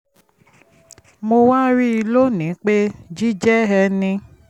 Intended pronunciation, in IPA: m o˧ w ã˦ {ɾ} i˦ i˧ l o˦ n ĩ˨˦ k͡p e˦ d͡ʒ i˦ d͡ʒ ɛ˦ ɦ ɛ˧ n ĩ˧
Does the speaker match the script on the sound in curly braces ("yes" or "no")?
yes